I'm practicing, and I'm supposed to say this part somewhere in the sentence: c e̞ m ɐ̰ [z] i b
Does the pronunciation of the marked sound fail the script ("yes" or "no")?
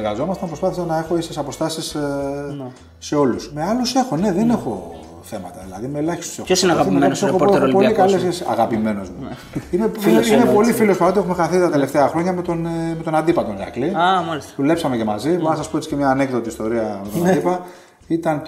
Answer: no